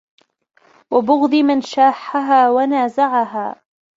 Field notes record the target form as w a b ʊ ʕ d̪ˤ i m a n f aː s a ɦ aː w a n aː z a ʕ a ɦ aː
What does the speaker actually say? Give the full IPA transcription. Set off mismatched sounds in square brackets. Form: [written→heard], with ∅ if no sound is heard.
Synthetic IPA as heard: w a b ʊ [ʕ→ɣ] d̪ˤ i m a n [f→ʃ] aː [s→ħ] a ɦ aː w a n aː z a ʕ a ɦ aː